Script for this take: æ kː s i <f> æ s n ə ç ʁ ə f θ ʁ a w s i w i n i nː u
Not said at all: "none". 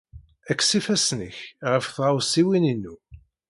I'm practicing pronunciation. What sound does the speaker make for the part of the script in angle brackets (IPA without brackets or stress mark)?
f